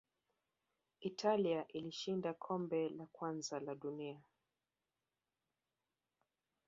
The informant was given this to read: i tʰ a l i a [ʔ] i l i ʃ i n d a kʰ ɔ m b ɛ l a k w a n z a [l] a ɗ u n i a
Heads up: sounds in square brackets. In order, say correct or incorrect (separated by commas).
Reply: correct, correct